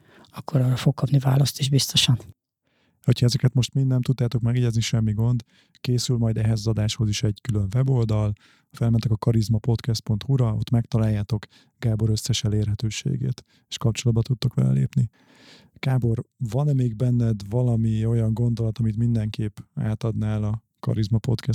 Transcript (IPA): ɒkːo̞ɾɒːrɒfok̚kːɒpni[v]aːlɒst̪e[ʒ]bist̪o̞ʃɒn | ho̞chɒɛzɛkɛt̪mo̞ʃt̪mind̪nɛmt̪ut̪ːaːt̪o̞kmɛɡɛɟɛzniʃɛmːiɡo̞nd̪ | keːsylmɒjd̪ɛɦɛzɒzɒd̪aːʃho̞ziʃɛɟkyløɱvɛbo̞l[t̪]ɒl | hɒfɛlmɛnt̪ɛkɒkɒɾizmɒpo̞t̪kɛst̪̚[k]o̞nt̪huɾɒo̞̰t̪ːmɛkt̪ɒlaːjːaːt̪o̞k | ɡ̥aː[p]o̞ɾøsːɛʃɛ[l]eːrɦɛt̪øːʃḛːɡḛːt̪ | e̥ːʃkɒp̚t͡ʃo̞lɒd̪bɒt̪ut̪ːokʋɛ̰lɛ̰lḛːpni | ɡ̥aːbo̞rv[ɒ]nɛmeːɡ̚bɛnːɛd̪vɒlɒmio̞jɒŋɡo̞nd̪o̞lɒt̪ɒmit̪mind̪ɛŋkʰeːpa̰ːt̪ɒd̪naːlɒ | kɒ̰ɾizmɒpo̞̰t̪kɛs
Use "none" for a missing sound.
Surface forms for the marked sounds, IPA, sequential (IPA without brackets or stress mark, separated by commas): v, ʒ, d̪, p, b, l, ɒ